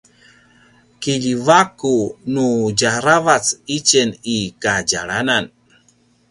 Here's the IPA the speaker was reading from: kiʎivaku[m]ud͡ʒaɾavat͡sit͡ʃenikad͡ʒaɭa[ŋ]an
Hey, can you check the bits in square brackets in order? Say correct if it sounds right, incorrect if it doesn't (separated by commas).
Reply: incorrect, incorrect